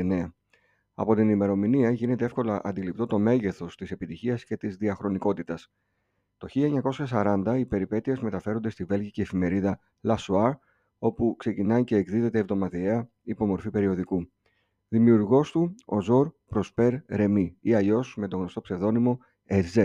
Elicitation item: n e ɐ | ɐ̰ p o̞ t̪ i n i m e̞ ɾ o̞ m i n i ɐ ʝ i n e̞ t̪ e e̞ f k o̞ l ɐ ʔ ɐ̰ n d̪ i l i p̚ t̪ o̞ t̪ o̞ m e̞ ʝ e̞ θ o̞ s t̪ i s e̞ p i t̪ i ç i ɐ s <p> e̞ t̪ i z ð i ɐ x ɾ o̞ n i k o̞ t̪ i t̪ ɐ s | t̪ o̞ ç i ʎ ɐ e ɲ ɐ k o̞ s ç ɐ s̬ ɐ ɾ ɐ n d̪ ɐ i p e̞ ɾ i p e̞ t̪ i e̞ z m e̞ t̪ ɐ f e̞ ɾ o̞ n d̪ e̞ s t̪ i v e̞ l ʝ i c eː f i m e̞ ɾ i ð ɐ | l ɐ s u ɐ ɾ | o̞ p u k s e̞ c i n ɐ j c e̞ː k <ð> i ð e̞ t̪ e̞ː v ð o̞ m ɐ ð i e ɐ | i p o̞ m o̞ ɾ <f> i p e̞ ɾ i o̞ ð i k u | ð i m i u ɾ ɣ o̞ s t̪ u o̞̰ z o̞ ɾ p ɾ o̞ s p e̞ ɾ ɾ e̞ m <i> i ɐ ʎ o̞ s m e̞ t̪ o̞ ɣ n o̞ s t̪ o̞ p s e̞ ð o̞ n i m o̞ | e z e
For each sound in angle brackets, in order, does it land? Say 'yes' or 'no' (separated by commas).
no, yes, yes, yes